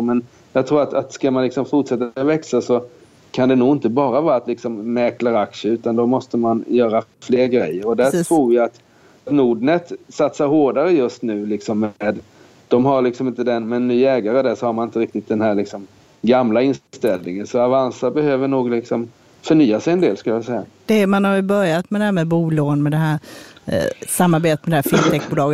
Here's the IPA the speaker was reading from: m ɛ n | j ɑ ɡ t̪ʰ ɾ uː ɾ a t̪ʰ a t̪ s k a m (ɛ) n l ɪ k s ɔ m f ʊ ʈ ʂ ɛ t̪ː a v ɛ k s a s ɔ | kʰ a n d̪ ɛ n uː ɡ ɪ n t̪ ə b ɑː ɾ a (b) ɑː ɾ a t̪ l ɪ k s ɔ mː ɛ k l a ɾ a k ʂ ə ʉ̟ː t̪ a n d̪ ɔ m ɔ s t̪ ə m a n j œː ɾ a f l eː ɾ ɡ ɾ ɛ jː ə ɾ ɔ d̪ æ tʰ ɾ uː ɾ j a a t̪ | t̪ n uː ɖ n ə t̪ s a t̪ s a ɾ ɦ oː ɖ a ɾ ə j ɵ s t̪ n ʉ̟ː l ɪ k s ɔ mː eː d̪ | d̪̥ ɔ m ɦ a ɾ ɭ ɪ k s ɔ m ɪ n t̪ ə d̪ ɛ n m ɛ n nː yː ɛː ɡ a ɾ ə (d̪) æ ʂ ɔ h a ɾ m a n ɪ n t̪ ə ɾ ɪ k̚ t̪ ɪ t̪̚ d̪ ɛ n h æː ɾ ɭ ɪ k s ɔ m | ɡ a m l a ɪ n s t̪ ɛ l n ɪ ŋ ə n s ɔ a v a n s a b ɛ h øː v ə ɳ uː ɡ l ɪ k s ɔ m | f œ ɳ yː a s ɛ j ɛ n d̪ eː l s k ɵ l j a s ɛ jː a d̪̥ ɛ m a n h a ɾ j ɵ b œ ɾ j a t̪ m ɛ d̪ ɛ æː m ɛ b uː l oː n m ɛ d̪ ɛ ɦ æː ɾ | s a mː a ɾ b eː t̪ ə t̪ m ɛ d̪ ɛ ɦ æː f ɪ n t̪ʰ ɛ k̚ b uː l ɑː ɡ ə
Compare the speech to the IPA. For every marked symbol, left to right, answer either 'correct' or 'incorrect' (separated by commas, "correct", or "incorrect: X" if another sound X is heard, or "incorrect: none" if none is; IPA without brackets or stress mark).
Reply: incorrect: a, incorrect: v, correct